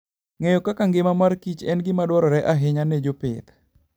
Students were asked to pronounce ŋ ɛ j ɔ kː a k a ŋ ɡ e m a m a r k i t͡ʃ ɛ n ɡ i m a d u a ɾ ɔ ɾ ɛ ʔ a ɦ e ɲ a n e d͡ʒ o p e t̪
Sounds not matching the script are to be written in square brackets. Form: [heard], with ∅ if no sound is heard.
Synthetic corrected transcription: ŋ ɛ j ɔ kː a k a ŋ ɡ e m a m a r k i t͡ʃ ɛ n ɡ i m a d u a ɾ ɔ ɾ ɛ ʔ a ɦ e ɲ a n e d͡ʒ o p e t̪